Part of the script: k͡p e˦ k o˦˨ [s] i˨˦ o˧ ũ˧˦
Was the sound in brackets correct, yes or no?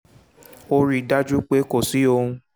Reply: yes